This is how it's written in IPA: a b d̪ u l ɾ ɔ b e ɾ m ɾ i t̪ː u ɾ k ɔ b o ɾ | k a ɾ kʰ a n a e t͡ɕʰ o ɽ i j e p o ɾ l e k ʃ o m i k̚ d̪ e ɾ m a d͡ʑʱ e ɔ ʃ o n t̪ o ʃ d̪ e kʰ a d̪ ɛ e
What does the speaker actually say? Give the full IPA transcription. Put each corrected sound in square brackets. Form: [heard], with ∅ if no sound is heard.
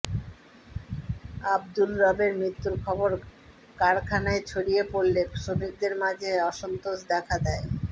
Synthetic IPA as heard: a b d̪ u l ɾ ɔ b e ɾ m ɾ i t̪ː u ɾ [kʰ] ɔ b o ɾ | k a ɾ kʰ a n a e t͡ɕʰ o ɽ i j e p o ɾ l e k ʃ o m i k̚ d̪ e ɾ m a d͡ʑʱ e ɔ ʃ o n t̪ o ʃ d̪ [ɛ] kʰ a d̪ ɛ e